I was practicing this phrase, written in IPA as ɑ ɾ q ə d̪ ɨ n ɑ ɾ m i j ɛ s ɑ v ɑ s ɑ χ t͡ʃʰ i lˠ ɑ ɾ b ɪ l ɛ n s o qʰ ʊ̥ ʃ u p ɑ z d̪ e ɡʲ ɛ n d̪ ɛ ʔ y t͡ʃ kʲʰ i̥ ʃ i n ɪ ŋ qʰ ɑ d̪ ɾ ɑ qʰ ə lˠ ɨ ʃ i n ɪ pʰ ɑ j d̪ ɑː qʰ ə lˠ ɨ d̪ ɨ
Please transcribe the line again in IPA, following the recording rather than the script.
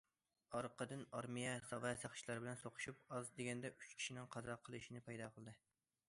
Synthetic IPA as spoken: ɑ ɾ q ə d̪ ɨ n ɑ ɾ m i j ɛ s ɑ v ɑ s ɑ χ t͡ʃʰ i lˠ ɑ ɾ b ɪ l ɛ n s o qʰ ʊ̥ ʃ u p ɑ z d̪ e ɡʲ ɛ n d̪ ɛ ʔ y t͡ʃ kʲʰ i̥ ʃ i n ɪ ŋ qʰ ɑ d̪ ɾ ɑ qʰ ə lˠ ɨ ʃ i n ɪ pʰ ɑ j d̪ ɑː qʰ ə lˠ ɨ d̪ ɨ